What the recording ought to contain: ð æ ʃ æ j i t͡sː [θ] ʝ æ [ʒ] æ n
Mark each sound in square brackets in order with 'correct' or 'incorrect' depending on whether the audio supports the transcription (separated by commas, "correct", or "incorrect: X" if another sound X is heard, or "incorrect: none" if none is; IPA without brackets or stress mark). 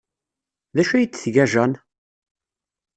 correct, correct